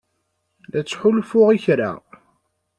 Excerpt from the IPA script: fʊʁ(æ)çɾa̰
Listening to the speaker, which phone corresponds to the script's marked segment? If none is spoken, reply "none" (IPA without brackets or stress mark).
i